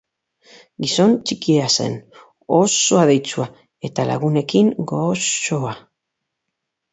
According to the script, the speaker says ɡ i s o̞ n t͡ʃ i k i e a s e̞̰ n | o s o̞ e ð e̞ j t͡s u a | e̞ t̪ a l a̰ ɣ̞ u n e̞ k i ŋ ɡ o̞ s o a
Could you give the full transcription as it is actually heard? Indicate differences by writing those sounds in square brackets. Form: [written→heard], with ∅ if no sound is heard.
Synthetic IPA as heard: ɡ i s o̞ n t͡ʃ i k i e a s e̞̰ n | o s o̞ [e→a] ð e̞ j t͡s u a | e̞ t̪ a l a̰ ɣ̞ u n e̞ k i ŋ ɡ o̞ s o a